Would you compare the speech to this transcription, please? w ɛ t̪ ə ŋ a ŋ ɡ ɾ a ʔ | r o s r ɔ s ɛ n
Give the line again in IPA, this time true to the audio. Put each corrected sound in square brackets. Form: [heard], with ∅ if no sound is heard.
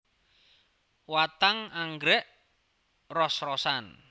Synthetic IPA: w [a] t̪ [a] ŋ a ŋ ɡ ɾ [ɛ] ʔ | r [ɔ] s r ɔ s [a] n